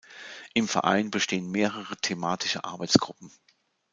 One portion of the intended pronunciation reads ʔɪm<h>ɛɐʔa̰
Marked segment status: incorrect: f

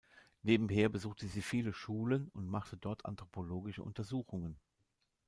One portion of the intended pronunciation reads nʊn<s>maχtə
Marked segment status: incorrect: t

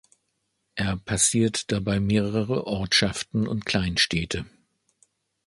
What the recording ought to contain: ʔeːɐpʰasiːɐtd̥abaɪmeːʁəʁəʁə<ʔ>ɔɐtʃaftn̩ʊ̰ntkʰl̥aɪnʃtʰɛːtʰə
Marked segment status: correct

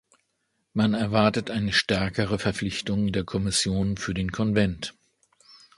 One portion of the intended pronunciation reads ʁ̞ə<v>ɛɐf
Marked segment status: incorrect: f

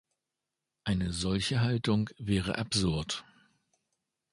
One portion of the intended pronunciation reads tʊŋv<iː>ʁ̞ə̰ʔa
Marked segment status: incorrect: ɛː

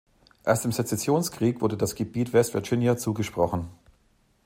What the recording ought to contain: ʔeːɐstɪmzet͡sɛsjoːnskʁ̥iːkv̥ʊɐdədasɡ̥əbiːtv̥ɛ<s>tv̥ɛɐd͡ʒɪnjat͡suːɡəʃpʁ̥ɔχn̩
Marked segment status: correct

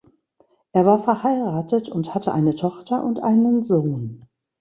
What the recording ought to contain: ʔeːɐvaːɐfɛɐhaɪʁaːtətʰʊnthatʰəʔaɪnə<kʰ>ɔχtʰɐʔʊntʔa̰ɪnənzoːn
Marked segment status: incorrect: tʰ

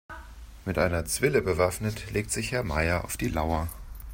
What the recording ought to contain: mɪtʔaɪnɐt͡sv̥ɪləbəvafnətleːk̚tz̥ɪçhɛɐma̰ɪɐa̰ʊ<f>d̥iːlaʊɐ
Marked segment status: correct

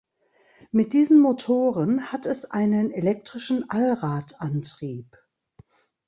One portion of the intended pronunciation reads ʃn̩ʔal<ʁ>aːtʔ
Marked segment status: correct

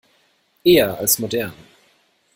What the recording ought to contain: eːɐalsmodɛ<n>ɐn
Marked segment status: incorrect: none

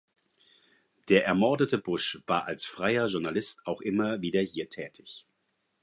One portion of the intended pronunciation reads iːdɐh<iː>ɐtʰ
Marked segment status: correct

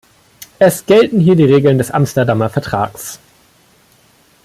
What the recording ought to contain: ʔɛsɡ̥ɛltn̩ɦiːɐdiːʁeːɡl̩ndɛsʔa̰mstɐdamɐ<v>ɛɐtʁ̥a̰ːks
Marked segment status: incorrect: f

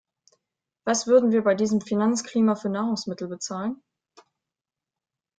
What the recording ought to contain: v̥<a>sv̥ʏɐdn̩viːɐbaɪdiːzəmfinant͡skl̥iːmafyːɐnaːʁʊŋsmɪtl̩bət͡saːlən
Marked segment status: correct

